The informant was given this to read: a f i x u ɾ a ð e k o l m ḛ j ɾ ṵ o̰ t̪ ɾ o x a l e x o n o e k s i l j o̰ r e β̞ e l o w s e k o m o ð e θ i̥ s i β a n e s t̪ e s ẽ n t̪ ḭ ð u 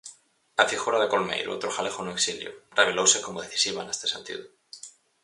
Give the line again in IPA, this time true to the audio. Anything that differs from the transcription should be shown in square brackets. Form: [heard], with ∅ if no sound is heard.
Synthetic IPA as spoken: a f i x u ɾ a ð e k o l m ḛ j ɾ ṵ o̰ t̪ ɾ o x a l e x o n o e k s i l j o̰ r e β̞ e l o w s e k o m o ð e θ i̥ s i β a n e s t̪ e s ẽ n t̪ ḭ ð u